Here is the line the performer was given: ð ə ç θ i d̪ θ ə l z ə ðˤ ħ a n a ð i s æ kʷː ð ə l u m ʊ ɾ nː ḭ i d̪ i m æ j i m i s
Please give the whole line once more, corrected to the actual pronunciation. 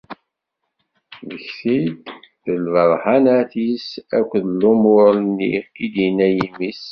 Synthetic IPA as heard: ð ə ç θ i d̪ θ ə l v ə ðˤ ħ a n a θ i s æ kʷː ð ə l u m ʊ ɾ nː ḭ i d̪ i n æ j i m i s